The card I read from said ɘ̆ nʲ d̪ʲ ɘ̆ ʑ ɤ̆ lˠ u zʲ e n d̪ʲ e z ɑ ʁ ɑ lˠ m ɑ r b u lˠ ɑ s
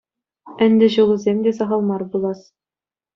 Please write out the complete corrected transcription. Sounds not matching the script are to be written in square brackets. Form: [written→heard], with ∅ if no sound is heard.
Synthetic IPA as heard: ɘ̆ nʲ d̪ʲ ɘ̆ ʑ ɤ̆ lˠ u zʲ e [n→m] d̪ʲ e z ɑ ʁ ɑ lˠ m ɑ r b u lˠ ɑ s